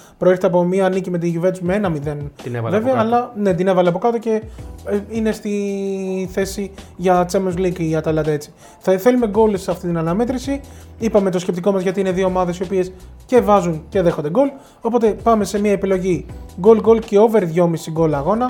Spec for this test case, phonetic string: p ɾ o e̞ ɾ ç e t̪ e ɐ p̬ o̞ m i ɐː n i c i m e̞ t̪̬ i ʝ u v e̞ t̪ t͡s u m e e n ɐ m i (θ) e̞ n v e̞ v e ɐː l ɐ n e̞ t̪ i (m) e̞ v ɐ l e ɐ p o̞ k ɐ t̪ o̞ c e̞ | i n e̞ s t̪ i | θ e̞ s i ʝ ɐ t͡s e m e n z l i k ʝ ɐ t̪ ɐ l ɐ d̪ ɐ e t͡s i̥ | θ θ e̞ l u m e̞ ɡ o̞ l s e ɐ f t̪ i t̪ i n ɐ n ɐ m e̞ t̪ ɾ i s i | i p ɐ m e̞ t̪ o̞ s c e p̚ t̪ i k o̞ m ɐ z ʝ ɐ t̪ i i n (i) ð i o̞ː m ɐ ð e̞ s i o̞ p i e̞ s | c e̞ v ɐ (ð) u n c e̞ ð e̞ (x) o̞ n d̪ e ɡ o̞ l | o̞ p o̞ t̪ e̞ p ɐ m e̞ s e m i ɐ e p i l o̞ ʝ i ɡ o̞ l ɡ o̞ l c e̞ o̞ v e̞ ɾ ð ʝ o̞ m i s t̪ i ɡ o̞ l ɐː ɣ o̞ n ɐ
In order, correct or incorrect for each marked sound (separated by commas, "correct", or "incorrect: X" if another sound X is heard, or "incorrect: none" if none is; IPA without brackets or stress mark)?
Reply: incorrect: ð, incorrect: n, incorrect: e, incorrect: z, correct